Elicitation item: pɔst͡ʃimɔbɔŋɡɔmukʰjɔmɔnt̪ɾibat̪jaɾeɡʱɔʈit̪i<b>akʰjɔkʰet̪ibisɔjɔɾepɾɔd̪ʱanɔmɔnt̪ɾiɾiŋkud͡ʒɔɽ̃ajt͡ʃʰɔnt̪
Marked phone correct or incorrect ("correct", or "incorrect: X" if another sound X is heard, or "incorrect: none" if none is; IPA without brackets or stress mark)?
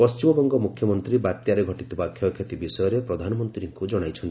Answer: correct